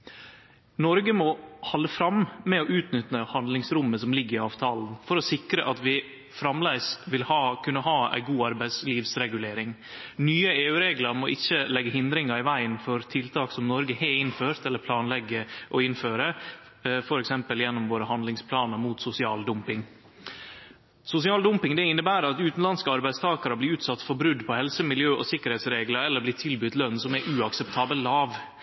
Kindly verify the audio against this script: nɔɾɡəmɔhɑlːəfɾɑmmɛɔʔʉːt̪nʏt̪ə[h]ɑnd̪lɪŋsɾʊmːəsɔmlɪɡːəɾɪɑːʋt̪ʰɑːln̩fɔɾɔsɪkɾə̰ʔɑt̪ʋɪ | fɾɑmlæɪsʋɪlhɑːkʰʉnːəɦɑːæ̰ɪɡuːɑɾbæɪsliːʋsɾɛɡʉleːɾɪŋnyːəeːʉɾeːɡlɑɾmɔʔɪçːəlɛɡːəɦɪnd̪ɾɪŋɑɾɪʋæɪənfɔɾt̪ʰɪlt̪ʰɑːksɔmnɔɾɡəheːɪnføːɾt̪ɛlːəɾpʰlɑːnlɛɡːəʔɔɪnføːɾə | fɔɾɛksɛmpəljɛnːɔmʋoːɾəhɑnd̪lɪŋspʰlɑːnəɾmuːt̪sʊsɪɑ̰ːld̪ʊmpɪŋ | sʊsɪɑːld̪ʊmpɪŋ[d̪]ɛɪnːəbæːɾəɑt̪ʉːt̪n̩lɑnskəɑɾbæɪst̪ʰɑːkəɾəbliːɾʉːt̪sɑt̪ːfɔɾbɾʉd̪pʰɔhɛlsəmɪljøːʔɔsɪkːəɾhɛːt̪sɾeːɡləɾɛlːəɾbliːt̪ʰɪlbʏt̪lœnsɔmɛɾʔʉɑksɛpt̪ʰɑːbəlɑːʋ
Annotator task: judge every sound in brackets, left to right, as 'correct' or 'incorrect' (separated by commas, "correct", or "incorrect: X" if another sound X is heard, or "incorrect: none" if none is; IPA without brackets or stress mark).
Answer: correct, correct